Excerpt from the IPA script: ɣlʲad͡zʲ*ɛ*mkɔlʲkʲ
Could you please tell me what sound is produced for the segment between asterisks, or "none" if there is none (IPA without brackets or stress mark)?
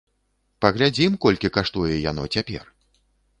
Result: i